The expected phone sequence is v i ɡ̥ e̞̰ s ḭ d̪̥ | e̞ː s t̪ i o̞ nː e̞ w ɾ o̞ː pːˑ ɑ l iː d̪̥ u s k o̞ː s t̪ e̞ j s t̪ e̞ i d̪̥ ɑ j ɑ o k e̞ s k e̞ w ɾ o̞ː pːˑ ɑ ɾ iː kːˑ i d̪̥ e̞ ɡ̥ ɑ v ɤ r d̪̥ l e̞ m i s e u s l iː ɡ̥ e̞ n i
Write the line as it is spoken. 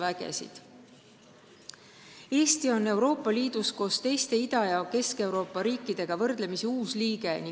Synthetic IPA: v æ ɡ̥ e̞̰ s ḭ d̪̥ | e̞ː s t̪ i o̞ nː e̞ w ɾ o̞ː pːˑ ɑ l iː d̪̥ u s k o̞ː s t̪ e̞ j s t̪ e̞ i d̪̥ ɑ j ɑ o k e̞ s k e̞ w ɾ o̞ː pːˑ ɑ ɾ iː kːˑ i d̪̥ e̞ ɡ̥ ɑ v ɤ r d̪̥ l e̞ m i s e uː s l iː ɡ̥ e̞ n i